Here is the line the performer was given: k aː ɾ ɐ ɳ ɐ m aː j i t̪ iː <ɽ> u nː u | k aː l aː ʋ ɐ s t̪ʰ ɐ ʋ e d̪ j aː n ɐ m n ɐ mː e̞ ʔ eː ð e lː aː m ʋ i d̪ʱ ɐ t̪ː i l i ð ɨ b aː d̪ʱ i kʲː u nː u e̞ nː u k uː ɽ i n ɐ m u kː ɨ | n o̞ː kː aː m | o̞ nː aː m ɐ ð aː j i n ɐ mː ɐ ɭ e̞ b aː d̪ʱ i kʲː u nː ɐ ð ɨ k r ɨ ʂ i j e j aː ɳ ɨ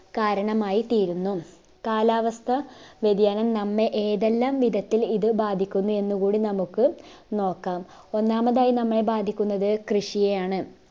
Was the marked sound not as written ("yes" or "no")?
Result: yes